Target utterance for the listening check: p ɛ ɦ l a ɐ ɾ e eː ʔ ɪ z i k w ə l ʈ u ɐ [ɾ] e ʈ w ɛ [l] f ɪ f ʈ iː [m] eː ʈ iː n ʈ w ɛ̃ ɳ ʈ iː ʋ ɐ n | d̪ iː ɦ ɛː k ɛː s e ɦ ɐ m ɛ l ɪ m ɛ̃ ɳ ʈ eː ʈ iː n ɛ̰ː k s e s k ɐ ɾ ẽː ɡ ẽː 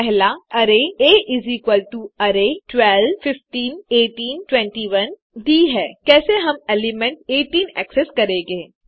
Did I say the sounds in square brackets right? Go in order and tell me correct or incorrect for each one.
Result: correct, correct, incorrect: n

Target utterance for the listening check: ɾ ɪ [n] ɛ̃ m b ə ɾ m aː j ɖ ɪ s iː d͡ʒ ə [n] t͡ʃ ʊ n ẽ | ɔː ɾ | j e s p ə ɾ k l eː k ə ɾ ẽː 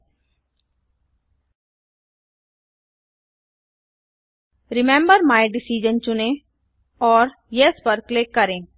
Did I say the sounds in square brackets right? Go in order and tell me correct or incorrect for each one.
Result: incorrect: m, correct

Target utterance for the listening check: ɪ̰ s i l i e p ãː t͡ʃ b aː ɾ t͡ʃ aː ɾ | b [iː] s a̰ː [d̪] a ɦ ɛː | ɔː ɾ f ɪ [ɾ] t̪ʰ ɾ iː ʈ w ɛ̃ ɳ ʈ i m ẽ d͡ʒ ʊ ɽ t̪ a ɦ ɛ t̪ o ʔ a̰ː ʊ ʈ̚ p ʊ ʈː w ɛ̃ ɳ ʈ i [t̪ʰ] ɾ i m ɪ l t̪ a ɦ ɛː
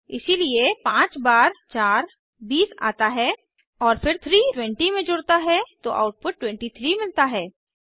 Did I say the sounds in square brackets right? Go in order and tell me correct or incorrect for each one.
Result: correct, incorrect: t̪, correct, correct

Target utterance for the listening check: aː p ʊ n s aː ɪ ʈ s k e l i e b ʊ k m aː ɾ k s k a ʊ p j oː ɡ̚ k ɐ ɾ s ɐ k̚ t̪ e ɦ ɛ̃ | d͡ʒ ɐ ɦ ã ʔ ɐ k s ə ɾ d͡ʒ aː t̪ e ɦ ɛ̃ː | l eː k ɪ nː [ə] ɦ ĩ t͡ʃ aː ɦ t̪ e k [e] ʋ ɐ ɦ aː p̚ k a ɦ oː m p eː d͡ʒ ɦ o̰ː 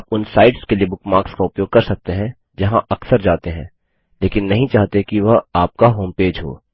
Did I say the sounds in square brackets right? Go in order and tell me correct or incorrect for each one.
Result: incorrect: ɐ, incorrect: i

